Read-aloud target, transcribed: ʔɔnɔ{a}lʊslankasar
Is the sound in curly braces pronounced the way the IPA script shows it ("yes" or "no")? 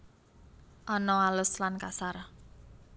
yes